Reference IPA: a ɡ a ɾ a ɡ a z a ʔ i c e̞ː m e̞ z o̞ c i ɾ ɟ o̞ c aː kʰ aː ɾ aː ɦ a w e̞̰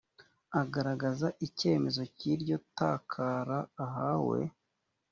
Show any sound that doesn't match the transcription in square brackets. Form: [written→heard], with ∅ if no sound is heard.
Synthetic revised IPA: a ɡ a ɾ a ɡ a z a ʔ i c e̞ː m e̞ z o̞ c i ɾ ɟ o̞ [c→t] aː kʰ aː ɾ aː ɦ a w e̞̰